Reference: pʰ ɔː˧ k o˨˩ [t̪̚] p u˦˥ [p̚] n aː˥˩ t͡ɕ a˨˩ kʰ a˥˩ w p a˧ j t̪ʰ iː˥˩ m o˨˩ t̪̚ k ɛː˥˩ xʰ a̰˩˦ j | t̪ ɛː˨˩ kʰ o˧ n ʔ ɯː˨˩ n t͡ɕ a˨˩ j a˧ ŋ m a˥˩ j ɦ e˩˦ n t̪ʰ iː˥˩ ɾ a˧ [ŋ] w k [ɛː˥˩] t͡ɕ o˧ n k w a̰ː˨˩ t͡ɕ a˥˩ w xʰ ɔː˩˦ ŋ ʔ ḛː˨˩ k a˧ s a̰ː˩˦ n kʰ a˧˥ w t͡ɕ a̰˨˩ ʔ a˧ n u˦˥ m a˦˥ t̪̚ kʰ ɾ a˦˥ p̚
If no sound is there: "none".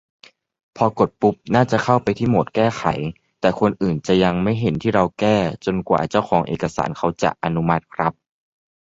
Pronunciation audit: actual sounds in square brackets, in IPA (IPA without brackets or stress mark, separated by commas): t̪̚, p̚, none, ɛː˥˩